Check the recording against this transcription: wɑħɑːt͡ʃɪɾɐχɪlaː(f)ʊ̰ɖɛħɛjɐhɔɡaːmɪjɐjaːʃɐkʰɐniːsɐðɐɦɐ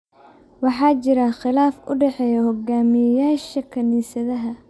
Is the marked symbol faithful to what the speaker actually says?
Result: yes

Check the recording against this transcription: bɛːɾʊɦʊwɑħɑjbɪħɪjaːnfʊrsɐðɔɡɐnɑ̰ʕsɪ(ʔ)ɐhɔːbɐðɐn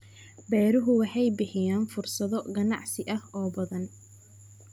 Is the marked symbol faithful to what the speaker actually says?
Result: yes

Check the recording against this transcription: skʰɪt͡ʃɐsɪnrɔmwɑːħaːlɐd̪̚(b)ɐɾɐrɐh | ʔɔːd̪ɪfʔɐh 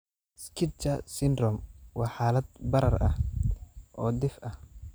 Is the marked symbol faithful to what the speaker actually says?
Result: yes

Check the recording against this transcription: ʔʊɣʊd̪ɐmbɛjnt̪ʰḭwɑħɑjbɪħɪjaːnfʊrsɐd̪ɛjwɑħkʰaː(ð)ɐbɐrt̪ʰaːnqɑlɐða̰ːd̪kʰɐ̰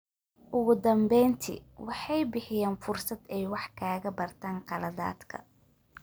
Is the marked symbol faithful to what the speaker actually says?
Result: no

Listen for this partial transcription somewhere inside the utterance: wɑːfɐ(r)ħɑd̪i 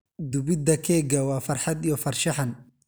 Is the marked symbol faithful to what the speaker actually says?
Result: yes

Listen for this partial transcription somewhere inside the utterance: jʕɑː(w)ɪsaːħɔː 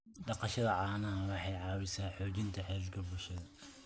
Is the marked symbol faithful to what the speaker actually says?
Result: yes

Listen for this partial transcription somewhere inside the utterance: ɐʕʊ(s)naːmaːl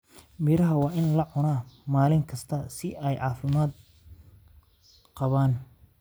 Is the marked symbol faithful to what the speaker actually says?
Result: no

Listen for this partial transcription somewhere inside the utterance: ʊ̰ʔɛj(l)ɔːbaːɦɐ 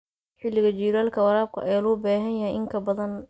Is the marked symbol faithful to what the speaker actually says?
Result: yes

